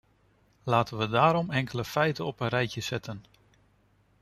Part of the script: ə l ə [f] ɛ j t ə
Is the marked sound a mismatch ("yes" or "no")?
no